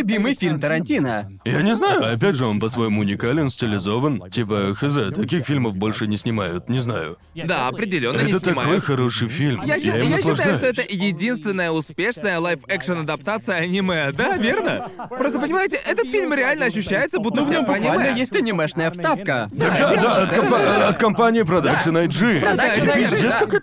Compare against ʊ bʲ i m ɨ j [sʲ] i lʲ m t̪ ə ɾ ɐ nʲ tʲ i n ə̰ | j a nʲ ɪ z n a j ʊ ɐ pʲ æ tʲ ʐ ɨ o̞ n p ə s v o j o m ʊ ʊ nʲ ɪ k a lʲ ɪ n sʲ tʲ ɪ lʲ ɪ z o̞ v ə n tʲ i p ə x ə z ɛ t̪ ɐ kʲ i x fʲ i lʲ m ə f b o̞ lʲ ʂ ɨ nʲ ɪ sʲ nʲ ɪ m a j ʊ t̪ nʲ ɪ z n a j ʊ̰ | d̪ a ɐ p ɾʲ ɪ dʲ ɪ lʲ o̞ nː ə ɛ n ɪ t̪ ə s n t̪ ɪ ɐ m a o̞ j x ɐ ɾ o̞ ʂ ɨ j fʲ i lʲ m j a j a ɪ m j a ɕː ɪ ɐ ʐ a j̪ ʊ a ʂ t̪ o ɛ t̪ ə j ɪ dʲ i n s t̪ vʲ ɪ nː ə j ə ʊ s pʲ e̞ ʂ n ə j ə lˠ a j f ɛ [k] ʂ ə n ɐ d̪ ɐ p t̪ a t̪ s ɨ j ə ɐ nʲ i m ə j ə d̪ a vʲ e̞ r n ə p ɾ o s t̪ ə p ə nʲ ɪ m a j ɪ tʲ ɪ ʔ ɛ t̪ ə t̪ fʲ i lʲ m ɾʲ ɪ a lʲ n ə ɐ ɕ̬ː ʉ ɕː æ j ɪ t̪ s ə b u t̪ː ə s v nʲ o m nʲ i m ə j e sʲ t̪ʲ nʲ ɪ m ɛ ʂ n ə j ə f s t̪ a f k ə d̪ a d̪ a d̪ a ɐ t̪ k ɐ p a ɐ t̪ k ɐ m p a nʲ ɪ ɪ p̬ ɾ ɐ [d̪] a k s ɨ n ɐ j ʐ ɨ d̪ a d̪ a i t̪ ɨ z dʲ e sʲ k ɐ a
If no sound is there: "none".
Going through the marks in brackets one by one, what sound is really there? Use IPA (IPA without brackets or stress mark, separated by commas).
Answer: fʲ, k, d̪